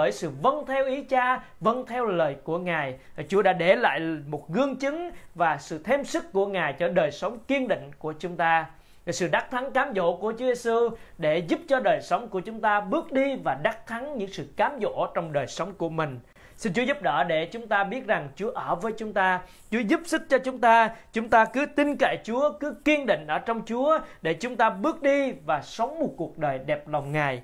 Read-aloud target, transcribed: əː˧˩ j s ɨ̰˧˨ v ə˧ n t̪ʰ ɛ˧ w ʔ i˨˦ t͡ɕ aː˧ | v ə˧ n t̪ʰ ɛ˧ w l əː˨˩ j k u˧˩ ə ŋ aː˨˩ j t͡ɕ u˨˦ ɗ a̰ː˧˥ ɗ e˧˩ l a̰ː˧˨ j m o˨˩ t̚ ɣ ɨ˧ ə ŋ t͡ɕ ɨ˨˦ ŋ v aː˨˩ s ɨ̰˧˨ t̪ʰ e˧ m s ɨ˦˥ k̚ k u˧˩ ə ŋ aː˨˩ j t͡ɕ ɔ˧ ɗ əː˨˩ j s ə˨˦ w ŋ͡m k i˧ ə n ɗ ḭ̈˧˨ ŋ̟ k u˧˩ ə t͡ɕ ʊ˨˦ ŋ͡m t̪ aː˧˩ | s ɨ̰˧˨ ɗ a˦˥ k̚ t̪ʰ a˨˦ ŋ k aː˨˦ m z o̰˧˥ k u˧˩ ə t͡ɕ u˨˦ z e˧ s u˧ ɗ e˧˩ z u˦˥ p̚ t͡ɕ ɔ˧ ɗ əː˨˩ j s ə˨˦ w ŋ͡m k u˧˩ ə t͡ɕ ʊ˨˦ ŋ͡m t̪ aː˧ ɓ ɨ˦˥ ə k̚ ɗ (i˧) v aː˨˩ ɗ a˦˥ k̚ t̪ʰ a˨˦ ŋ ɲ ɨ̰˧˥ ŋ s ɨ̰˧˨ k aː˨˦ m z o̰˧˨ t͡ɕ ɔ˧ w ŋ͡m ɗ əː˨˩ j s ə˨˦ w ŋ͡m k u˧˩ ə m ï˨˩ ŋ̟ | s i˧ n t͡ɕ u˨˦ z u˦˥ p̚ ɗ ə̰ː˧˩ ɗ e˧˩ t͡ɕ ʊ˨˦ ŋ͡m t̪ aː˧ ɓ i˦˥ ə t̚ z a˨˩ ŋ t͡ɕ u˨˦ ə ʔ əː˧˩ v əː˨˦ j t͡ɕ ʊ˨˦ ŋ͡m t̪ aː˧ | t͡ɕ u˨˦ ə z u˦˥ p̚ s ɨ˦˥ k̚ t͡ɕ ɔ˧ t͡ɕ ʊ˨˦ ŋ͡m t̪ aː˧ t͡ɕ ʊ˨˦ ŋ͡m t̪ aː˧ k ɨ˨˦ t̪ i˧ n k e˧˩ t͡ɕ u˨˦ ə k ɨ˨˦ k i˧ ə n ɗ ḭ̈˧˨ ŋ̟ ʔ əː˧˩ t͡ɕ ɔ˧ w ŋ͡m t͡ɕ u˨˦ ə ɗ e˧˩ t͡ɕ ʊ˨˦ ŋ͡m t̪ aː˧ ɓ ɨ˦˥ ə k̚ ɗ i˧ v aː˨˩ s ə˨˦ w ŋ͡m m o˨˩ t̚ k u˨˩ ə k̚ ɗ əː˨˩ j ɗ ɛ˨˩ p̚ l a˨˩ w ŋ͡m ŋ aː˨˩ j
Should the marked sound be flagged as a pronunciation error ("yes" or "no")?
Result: no